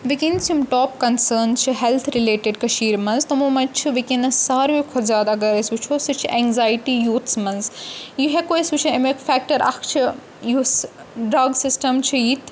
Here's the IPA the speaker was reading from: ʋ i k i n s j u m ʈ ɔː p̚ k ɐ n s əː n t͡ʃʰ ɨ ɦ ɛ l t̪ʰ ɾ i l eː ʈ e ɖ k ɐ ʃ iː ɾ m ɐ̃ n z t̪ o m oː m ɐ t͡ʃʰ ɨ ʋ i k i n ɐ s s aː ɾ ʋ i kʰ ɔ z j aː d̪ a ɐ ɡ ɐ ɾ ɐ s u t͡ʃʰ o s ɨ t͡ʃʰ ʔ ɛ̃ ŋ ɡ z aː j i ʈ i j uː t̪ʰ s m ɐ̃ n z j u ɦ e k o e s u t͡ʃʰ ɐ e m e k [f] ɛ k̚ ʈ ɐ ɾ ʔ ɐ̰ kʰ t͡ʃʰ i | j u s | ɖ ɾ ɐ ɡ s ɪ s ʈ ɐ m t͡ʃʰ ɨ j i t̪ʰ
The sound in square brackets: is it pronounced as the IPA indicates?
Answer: yes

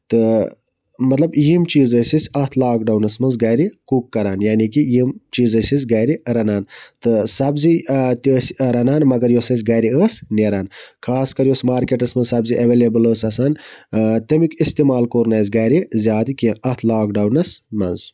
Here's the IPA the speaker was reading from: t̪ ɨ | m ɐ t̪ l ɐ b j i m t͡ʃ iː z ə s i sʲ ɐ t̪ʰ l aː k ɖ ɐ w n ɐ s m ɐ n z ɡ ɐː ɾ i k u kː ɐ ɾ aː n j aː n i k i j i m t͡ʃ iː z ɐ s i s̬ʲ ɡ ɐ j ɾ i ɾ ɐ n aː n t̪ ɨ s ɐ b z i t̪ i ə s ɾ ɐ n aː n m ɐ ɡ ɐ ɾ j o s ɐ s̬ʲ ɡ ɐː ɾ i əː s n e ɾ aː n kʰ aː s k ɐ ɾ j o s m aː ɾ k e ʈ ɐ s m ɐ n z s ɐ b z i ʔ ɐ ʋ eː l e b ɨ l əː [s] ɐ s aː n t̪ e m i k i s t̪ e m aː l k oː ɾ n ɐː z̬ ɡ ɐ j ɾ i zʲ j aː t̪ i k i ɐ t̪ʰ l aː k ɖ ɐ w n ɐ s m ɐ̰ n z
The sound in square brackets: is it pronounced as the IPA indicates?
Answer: yes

